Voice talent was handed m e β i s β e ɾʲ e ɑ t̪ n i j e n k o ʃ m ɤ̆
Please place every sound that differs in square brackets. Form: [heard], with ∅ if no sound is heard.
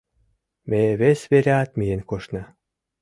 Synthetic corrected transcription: m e β [e] s β e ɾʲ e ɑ t̪ [m] i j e n k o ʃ [n] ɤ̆